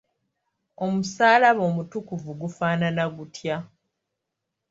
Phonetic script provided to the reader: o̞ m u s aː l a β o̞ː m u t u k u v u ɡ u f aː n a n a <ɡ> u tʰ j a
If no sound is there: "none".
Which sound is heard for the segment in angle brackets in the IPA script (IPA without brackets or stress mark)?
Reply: ɡ